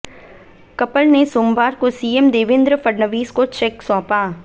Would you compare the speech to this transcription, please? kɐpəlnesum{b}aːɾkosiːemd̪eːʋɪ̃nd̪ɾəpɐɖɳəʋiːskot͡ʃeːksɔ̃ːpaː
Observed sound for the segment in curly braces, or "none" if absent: b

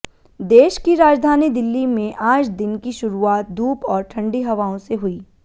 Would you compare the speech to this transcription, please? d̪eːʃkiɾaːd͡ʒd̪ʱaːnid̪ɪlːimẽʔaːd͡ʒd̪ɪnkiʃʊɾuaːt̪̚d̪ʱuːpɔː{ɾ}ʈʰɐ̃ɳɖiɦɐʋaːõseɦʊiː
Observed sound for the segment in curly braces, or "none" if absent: ɾ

